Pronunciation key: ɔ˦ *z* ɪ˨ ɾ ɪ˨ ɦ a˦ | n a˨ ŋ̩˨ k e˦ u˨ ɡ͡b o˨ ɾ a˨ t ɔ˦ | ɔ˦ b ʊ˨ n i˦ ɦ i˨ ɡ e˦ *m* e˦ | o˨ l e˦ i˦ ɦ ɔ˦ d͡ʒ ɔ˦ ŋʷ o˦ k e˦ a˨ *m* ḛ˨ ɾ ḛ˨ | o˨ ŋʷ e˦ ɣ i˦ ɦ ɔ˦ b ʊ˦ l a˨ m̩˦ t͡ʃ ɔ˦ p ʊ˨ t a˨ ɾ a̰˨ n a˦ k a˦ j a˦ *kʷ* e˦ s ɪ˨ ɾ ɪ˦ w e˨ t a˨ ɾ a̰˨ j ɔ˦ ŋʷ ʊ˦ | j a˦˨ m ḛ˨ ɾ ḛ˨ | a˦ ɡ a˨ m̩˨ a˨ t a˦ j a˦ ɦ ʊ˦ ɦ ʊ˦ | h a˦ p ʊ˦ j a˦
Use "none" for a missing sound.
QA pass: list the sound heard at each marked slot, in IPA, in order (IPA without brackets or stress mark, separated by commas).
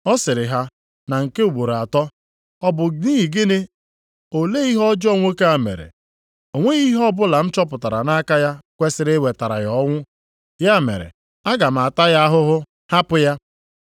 s, n, m, kʷ